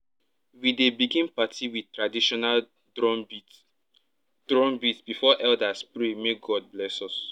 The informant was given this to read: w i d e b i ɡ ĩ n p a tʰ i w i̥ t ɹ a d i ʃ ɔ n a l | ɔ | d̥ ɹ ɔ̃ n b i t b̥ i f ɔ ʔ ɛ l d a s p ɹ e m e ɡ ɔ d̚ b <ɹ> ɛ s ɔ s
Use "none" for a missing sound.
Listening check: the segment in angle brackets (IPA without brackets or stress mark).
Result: l